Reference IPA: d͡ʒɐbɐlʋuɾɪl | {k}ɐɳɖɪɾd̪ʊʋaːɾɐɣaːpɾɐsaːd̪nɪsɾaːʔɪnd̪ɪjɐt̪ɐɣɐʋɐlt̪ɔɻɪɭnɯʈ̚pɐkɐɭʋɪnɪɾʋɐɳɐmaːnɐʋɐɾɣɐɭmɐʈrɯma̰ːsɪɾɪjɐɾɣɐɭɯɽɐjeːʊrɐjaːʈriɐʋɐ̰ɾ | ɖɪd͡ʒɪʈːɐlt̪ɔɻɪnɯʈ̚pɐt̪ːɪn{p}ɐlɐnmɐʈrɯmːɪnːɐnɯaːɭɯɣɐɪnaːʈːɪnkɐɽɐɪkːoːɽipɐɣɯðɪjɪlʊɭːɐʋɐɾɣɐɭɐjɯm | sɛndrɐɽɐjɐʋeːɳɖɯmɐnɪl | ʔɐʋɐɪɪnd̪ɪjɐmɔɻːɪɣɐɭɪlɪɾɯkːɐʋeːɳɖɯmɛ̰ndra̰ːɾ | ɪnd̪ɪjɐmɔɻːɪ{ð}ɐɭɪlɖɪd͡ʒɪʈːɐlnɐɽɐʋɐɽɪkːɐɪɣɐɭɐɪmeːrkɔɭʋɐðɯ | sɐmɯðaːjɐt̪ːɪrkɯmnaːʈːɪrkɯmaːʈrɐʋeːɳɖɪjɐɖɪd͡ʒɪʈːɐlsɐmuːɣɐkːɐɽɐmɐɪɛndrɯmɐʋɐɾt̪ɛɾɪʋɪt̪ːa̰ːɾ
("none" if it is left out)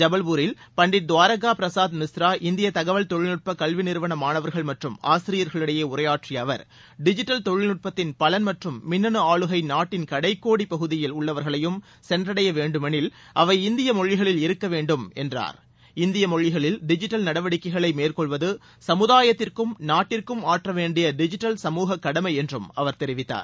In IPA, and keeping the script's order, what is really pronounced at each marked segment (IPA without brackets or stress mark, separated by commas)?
p, p, ɣ